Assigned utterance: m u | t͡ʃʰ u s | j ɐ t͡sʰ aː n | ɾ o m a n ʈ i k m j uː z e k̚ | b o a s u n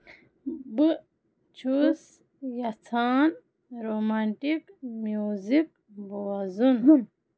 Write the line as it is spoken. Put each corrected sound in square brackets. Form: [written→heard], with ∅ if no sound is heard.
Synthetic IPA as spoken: [m→b] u | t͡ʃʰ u s | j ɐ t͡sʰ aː n | ɾ o m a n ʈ i k m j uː z [e→i] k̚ | b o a [s→z] u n